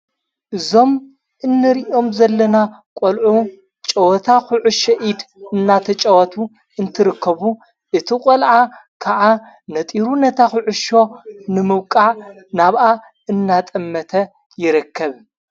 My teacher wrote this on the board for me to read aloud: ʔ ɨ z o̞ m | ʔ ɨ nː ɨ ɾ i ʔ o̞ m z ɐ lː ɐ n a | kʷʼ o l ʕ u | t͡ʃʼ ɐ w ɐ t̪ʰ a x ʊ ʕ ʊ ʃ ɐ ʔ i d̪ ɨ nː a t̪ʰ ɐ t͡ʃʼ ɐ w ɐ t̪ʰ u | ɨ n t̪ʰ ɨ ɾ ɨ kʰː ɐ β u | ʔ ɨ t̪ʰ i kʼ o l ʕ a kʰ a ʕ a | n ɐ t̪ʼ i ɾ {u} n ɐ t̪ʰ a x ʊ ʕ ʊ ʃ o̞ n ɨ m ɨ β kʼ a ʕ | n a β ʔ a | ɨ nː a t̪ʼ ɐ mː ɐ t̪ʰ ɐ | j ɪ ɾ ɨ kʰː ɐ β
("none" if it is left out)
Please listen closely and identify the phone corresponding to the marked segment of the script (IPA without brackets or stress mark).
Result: u